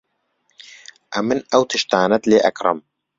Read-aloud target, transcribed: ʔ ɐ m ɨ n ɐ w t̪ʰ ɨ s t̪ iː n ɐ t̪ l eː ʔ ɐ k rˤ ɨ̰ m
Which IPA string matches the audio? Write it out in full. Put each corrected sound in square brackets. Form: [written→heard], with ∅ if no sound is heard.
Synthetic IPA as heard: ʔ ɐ m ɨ n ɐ w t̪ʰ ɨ [s→ʃ] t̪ [iː→aː] n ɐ t̪ l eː ʔ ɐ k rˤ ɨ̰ m

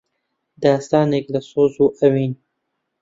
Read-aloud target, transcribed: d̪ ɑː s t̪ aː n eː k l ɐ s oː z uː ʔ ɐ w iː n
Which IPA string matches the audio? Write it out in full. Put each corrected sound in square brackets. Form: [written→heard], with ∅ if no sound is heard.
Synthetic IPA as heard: d̪ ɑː s t̪ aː n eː k l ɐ s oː z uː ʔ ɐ w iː n

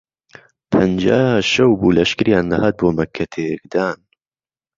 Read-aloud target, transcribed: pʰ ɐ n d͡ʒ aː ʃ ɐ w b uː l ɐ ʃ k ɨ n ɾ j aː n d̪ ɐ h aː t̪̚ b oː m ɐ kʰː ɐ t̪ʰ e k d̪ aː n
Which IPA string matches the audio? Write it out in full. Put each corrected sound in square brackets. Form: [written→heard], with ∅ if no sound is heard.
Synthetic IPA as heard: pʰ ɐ n d͡ʒ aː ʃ ɐ w b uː l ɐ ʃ k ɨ [n→∅] ɾ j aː n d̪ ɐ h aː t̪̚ b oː m ɐ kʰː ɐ t̪ʰ e k d̪ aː n

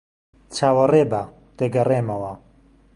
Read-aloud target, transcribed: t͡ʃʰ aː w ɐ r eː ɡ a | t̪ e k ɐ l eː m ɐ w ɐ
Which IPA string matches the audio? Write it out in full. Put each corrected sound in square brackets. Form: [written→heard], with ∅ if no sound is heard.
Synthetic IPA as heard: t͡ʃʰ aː w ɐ r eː [ɡ→b] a | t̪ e [k→ɡ] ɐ [l→r] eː m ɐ w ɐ

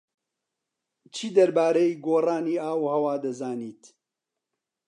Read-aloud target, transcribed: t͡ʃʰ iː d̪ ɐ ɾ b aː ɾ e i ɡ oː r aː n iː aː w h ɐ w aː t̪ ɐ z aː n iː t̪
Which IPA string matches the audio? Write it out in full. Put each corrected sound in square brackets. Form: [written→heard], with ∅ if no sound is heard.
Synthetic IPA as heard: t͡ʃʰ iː d̪ ɐ ɾ b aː ɾ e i ɡ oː r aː n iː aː w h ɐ w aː [t̪→d̪] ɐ z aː n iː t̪

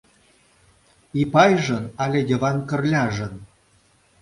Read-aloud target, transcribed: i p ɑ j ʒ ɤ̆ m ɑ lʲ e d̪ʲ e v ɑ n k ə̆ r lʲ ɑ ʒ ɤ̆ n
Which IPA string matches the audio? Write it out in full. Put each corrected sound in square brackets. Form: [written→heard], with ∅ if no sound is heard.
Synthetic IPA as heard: i p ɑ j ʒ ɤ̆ [m→n] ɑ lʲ e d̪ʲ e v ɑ n k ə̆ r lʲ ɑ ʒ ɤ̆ n

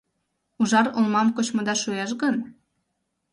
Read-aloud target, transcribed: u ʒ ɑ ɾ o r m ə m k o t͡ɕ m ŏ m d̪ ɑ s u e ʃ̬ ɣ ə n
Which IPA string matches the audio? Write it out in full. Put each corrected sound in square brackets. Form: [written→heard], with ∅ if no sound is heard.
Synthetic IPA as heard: u ʒ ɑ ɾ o [r→l] m [ə→ɑ] m k o t͡ɕ m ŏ [m→∅] d̪ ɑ [s→ʃ] u e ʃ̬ ɣ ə n

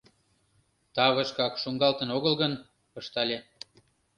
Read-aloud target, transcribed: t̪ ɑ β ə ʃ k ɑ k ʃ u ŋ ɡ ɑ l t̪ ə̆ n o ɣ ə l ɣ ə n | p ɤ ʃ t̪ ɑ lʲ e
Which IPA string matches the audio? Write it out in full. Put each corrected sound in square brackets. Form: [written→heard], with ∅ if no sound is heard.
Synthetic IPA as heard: t̪ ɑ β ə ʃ k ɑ k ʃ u ŋ ɡ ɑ l t̪ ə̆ n o ɣ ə l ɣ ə n | p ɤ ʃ t̪ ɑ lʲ e

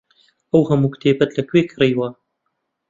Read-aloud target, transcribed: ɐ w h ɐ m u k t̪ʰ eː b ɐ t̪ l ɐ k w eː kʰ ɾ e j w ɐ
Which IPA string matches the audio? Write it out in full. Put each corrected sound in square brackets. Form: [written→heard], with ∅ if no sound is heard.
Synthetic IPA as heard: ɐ w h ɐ m u k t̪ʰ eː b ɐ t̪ l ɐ k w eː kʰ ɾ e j w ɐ

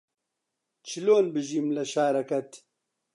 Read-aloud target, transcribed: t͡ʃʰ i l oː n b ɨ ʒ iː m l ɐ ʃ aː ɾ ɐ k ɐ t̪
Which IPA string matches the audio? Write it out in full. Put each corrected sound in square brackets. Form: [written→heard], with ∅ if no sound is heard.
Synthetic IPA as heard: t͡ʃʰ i l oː n b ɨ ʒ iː m l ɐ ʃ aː ɾ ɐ k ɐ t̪

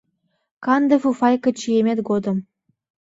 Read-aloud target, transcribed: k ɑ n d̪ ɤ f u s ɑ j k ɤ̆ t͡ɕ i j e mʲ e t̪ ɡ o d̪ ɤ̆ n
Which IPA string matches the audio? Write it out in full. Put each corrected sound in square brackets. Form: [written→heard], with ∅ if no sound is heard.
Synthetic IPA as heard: k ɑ n d̪ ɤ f u [s→f] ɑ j k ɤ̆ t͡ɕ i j e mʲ e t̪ ɡ o d̪ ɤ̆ [n→m]

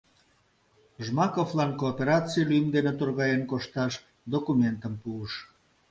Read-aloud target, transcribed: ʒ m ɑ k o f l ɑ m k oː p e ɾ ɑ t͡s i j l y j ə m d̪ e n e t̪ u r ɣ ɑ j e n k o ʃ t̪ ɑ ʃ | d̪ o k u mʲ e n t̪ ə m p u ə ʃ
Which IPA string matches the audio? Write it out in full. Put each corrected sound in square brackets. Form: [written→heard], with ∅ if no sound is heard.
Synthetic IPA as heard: ʒ m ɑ k o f l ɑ [m→n] k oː p e ɾ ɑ t͡s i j l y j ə m d̪ e n e t̪ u r ɣ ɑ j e n k o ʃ t̪ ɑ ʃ | d̪ o k u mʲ e n t̪ ə m p u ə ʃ

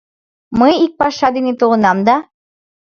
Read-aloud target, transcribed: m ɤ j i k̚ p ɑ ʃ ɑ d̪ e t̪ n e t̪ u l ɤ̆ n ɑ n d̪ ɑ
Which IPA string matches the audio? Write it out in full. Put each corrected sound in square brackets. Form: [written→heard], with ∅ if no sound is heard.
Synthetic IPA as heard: m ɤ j i k̚ p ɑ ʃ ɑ d̪ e [t̪→∅] n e t̪ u l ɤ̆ n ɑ [n→m] d̪ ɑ

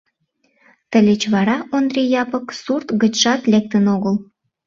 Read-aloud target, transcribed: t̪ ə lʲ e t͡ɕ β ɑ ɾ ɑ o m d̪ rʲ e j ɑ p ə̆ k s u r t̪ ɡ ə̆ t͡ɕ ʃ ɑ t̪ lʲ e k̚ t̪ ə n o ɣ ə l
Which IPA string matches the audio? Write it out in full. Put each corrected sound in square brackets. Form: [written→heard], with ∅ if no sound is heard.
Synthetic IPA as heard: t̪ ə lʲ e t͡ɕ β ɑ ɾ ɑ o [m→n] d̪ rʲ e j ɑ p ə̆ k s u r t̪ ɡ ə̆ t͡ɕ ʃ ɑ t̪ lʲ e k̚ t̪ ə n o ɣ ə l

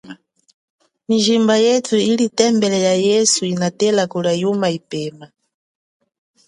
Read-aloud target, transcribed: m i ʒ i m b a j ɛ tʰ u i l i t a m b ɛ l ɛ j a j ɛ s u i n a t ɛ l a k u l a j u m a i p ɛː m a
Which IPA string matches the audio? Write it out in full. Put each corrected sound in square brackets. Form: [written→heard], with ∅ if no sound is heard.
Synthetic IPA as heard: m i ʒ i m b a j ɛ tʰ u i l i t [a→ɛ] m b ɛ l ɛ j a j ɛ s u i n a t ɛ l a k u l a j u m a i p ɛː m a

